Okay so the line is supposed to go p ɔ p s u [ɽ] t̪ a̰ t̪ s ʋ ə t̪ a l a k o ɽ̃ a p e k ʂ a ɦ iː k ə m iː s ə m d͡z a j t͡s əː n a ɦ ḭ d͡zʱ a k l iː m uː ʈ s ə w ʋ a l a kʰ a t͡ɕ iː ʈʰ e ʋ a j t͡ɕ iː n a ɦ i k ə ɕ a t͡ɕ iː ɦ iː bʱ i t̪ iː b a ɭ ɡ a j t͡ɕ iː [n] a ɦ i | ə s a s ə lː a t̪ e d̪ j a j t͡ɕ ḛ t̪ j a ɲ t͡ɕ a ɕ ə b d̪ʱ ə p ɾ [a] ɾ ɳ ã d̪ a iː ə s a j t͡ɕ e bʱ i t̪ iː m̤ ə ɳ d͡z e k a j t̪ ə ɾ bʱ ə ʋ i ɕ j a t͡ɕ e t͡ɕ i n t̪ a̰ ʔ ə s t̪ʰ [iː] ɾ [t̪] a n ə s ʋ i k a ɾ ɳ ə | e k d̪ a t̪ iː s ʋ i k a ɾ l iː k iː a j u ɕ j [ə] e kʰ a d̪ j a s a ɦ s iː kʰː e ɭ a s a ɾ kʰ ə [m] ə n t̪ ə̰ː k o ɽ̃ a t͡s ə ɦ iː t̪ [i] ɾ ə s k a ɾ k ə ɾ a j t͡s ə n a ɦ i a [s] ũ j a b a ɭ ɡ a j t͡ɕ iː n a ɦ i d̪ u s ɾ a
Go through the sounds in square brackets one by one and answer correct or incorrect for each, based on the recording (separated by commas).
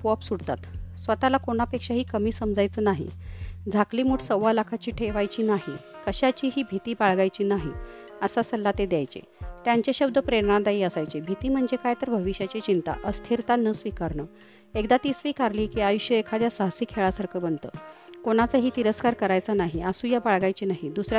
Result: correct, correct, incorrect, incorrect, correct, correct, incorrect, correct, correct